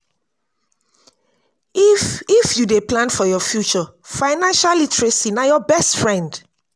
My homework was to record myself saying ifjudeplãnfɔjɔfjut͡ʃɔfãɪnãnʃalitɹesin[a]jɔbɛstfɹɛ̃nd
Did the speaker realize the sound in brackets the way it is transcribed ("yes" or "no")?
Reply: yes